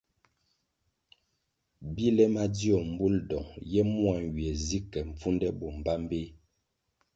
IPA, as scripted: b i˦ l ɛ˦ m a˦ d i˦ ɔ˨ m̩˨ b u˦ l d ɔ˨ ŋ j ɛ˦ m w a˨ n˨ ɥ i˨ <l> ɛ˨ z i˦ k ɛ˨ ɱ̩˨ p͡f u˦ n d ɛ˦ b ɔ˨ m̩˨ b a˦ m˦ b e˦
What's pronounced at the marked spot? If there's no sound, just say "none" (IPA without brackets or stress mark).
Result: none